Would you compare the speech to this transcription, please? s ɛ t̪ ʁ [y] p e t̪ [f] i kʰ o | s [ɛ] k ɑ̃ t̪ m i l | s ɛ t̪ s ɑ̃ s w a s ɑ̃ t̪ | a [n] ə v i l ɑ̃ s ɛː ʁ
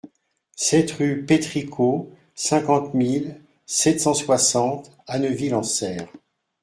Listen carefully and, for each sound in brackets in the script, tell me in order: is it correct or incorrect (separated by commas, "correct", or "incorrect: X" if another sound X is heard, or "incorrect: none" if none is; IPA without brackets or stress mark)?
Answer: correct, incorrect: χ, incorrect: ɛ̃, correct